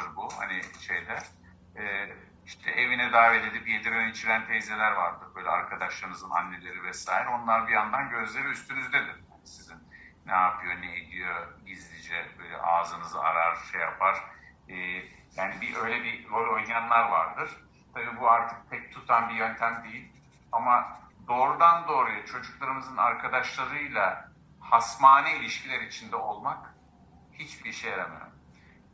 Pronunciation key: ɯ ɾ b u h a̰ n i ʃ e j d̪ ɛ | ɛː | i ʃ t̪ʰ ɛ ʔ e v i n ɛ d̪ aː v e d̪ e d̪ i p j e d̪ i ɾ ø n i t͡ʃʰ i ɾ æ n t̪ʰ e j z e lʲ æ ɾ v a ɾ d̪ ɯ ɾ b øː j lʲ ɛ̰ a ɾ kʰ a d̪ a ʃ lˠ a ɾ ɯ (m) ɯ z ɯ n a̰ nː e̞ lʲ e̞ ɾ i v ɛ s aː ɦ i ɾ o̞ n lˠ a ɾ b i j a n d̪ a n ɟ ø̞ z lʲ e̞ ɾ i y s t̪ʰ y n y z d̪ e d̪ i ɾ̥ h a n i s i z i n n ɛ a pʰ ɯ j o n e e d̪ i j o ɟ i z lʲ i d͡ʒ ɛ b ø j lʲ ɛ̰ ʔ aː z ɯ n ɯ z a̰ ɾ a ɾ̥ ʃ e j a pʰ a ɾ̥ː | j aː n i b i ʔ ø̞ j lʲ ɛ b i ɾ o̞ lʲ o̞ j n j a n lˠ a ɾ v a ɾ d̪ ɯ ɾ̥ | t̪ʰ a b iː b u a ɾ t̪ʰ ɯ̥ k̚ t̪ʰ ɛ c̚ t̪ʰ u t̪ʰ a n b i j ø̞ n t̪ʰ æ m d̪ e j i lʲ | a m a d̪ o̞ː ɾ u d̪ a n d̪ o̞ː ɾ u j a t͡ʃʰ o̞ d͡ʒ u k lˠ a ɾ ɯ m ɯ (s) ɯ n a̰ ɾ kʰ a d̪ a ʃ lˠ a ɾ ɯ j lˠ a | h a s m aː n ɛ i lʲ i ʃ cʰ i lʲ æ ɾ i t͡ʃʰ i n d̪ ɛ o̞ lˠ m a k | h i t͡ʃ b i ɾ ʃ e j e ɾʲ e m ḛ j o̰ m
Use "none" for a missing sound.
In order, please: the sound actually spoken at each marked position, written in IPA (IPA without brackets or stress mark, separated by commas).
n, z